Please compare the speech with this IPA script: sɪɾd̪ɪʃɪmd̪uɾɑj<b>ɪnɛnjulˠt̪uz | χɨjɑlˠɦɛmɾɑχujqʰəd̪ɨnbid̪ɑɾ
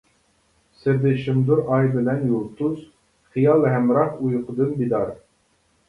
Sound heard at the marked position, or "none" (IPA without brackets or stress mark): b